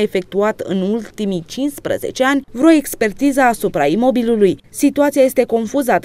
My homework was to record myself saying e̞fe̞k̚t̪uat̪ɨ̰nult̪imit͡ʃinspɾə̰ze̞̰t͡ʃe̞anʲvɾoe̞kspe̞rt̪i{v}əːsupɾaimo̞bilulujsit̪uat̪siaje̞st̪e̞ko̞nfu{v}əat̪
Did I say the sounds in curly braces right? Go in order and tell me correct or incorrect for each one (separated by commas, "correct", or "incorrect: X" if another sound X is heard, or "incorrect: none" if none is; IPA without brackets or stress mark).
incorrect: z, incorrect: z